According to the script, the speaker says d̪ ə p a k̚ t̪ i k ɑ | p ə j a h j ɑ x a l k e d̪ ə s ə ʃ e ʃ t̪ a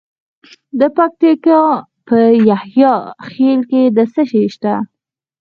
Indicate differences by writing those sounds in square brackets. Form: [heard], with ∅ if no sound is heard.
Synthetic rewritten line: d̪ ə p a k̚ t̪ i k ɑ | p ə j a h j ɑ x [e] l k e d̪ ə s ə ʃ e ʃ t̪ a